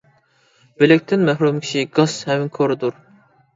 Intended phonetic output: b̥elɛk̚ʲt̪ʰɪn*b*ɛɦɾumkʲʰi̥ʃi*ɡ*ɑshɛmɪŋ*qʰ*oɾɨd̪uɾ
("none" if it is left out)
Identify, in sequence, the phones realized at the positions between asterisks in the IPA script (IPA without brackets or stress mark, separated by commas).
m, ɡ, kʰ